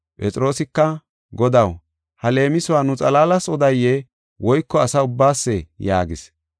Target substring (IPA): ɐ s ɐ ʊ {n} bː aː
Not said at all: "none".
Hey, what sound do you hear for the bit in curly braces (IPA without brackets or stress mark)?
none